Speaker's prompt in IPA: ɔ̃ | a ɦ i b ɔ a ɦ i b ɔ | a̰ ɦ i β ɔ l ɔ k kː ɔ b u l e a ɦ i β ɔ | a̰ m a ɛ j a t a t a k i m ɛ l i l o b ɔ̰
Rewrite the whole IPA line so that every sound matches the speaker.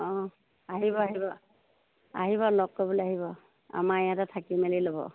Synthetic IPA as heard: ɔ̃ | a ɦ i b ɔ a ɦ i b ɔ | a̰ ɦ i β ɔ l ɔ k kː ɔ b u l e a ɦ i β ɔ | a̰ m a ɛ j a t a tʰ a k i m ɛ l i l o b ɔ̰